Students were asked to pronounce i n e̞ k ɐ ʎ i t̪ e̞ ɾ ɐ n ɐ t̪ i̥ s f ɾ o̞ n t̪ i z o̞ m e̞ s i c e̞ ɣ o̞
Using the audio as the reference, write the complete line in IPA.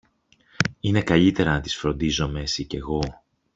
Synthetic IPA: i n e̞ k ɐ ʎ i t̪ e̞ ɾ ɐ n ɐ t̪ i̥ s f ɾ o̞ n d̪ i z o̞ m e̞ s i c e̞ ɣ o̞